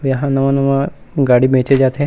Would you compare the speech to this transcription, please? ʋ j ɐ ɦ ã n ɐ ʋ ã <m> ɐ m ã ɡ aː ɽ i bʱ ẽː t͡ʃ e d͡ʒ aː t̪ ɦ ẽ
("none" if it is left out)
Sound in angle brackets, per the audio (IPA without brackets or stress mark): n